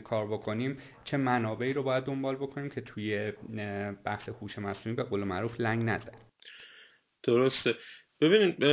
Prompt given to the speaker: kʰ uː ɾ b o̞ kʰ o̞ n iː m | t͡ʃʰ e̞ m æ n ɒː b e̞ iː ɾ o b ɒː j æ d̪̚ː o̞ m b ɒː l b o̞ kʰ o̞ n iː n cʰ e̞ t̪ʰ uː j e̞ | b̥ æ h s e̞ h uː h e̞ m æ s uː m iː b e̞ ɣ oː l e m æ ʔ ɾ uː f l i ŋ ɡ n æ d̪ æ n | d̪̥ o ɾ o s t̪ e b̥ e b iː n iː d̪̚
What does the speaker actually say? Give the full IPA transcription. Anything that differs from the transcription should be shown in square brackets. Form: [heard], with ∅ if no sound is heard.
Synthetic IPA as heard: kʰ [ɒː] ɾ b o̞ kʰ o̞ n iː m | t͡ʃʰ e̞ m æ n ɒː b e̞ iː ɾ o b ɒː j æ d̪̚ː o̞ m b ɒː l b o̞ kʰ o̞ n iː [m] cʰ e̞ t̪ʰ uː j e̞ | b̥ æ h s e̞ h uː [ʃ] e̞ m æ s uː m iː b e̞ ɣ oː l e m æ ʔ ɾ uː f l [æ] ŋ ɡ n æ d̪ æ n | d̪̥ o ɾ o s t̪ e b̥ e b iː n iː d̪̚